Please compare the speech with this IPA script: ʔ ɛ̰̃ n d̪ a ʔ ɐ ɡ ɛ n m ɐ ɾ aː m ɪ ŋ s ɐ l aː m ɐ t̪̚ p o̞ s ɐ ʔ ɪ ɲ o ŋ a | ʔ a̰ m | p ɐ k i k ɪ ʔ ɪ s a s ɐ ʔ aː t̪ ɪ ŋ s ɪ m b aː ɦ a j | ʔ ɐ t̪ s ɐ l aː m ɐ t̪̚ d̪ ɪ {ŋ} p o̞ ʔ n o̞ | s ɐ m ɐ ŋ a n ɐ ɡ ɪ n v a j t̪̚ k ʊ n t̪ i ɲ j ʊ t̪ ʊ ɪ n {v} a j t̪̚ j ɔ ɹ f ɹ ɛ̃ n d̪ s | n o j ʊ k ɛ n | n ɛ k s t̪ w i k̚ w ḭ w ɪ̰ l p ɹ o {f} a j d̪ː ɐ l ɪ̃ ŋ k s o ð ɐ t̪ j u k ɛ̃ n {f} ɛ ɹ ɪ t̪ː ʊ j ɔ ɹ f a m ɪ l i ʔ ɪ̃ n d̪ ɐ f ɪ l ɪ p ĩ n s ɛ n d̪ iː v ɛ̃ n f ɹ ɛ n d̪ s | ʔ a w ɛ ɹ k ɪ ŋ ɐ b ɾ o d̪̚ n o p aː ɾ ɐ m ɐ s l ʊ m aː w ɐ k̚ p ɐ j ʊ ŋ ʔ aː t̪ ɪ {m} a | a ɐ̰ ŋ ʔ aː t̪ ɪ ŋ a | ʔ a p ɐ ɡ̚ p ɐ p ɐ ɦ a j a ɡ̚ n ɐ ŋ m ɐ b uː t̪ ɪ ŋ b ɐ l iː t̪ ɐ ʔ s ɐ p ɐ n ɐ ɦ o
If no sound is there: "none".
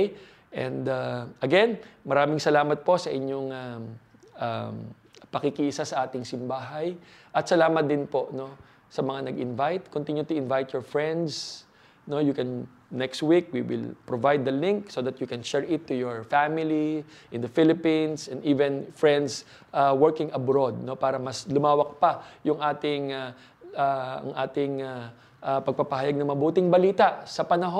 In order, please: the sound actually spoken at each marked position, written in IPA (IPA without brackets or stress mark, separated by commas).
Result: n, v, v, ʃ, ŋ